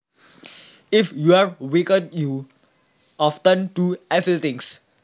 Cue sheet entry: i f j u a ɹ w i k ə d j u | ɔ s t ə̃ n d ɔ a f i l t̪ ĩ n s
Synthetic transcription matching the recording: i f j u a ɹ w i k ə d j u | ɔ f t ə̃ n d u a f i l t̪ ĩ ŋ s